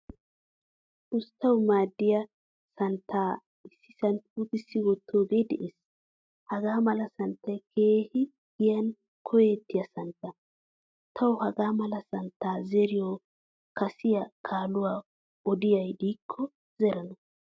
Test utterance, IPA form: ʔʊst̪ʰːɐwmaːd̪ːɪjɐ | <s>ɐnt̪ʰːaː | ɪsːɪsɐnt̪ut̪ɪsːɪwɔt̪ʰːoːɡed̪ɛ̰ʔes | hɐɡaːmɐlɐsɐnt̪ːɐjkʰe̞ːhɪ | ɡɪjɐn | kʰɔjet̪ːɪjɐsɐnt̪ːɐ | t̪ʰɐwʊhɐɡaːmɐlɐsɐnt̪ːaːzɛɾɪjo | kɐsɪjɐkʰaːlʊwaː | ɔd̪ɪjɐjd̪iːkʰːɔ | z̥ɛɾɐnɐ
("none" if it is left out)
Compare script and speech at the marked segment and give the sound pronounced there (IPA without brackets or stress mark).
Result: s